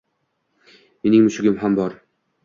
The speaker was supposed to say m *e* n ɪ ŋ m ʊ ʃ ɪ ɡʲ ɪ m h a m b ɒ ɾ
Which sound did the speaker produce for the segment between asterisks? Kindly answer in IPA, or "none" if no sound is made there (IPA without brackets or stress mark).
e